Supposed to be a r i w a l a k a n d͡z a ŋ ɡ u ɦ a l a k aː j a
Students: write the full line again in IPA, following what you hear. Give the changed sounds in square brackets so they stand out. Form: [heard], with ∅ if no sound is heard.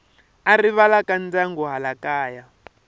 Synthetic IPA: a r i [β] a l a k a n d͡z a ŋ ɡ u ɦ a l a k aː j a